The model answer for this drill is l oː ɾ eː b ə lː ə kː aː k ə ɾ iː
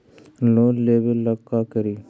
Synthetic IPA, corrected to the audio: l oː l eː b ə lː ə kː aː k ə ɾ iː